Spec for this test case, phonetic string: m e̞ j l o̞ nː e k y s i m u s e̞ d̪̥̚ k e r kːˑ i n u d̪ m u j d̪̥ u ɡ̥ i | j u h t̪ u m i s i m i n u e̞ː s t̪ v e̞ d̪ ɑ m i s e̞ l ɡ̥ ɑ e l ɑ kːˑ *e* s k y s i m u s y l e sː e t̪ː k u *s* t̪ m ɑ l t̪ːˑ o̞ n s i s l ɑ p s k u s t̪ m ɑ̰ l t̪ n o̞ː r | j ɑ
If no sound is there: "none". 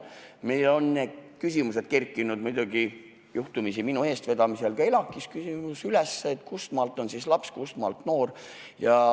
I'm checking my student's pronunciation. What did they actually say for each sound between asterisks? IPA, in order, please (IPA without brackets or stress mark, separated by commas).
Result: i, s